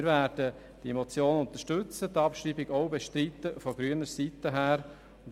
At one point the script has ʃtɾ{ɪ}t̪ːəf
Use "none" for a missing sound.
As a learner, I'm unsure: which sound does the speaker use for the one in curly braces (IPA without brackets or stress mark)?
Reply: i